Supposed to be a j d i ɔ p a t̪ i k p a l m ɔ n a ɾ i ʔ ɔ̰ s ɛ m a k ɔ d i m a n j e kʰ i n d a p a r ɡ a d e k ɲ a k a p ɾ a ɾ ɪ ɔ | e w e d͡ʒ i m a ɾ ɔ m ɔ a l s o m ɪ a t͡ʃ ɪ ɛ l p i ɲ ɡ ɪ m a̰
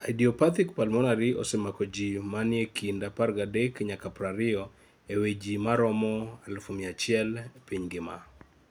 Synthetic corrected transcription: a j d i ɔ p a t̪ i k p a l m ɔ n a ɾ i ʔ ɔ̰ s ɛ m a k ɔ d͡ʒ i m a n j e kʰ i n d a p a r ɡ a d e k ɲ a k a p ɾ a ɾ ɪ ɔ | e w e d͡ʒ i m a ɾ ɔ m ɔ a l f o m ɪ a t͡ʃ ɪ ɛ l p i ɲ ɡ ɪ m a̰

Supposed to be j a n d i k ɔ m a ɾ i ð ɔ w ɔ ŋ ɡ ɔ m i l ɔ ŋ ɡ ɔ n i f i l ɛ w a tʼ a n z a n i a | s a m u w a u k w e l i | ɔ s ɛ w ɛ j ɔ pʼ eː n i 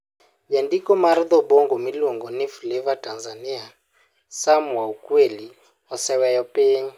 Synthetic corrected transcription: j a n d i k ɔ m a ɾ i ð ɔ b ɔ ŋ ɡ ɔ m i l ɔ ŋ ɡ ɔ n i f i l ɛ v a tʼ a n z a n i a | s a m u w a u k w e l i | ɔ s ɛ w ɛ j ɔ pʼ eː ɲ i

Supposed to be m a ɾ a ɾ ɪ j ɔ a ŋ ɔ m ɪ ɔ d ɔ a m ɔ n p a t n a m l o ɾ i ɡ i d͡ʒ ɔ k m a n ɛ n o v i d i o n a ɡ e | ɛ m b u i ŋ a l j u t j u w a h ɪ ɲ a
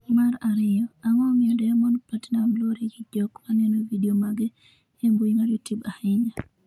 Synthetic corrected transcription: m a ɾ a ɾ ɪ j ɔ a ŋ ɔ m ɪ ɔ d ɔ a m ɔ n p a t n a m l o ɾ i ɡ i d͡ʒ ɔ k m a n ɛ n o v i d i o m a ɡ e | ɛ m b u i ŋ a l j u t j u b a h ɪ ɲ a

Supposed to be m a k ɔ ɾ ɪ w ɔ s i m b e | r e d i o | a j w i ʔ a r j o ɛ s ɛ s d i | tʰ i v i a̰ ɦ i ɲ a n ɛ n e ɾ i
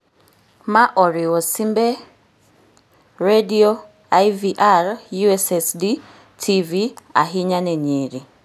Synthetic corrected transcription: m a ʔ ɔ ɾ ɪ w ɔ s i m b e | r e d i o | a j v i ʔ a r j u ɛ s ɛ s d i | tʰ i v i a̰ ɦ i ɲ a n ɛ ɲ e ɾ i

